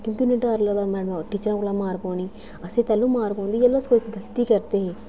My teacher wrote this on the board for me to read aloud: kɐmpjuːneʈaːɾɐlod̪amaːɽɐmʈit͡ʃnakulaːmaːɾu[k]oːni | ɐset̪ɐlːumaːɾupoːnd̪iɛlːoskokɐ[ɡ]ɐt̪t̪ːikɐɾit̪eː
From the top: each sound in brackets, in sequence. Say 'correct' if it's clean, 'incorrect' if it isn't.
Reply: incorrect: p, correct

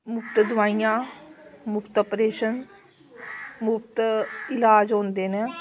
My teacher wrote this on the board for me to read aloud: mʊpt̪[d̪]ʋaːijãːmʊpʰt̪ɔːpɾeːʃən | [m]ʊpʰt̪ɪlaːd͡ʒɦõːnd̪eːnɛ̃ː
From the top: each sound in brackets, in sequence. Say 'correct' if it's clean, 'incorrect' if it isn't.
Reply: correct, correct

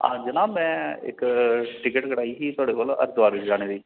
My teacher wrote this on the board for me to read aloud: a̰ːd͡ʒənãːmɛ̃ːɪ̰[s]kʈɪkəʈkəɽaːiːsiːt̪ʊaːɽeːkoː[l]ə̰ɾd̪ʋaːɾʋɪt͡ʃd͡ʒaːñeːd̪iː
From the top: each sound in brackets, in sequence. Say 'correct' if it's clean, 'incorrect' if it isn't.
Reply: incorrect: none, correct

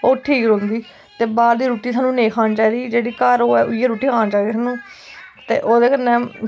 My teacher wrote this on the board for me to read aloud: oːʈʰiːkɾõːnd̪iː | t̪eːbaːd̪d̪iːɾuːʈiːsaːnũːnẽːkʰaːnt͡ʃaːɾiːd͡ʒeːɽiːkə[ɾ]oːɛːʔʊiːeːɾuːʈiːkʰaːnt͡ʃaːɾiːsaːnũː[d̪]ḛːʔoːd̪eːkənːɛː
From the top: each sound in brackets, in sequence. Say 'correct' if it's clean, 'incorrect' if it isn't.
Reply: correct, incorrect: t̪

